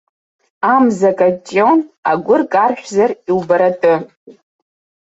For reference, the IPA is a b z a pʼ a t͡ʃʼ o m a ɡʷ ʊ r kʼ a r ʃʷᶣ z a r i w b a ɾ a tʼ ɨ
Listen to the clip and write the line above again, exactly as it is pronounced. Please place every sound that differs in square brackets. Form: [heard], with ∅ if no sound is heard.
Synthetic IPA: a [m] z a [kʼ] a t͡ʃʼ o [n] a ɡʷ ʊ r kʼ a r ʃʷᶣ z a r i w b a ɾ a tʼ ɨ